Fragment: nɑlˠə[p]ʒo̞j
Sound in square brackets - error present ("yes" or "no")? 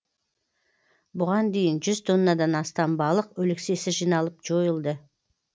no